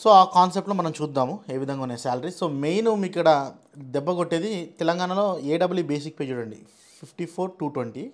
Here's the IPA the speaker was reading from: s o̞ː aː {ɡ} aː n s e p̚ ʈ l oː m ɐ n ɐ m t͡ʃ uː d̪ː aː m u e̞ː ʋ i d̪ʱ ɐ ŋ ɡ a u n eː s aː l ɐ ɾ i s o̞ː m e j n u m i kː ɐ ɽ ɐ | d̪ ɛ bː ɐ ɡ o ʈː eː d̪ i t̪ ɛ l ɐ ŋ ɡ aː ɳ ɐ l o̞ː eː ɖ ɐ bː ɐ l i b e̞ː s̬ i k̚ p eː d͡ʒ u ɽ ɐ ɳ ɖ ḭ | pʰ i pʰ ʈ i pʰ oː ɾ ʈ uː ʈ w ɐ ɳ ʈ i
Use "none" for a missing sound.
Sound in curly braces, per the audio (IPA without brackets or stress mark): k